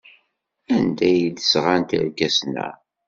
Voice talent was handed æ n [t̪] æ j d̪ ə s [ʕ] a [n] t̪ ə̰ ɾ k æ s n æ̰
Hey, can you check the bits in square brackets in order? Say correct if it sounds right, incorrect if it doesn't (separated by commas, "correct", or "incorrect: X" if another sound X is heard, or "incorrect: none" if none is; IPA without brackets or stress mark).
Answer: incorrect: d̪, incorrect: ʁ, correct